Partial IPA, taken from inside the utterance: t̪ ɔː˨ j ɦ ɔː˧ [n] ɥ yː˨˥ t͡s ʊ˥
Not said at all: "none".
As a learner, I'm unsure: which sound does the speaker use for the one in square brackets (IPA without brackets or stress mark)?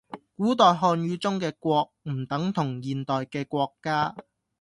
n